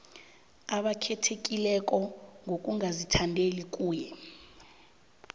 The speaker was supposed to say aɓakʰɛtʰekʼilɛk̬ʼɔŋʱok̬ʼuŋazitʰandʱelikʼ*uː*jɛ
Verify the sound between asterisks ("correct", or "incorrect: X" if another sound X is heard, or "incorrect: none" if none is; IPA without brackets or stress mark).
correct